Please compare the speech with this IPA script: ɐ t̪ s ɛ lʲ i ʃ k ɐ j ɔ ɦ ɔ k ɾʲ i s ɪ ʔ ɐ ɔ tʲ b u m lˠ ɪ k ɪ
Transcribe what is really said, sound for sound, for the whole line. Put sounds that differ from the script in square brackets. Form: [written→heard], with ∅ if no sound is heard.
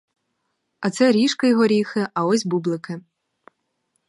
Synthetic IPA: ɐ t̪ s ɛ [lʲ→ɾʲ] i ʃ k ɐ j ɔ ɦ ɔ [k→∅] ɾʲ i [s→x] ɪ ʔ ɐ ɔ [tʲ→sʲ] b u [m→b] lˠ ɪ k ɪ